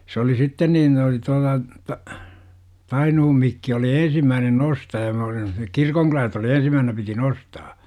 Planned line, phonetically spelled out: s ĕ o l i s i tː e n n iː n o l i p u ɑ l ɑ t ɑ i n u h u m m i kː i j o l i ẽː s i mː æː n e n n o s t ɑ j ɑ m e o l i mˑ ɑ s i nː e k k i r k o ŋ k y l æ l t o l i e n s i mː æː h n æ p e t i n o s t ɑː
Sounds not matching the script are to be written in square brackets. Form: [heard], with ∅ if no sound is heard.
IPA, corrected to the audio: s ĕ o l i s i tː e n n iː n o l i [t] u ɑ l ɑ t ɑ i n u h u m m i kː i [∅] o l i ẽː s i mː æː n e n n o s t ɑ j ɑ m e o l i mˑ ɑ s i nː e k k i r k o ŋ k y l æ l t o l i e n s i mː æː h n æ p [i] t i n o s t ɑː